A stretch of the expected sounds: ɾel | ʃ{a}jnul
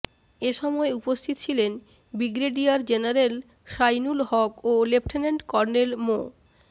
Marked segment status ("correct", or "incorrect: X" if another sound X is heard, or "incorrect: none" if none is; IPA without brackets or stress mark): correct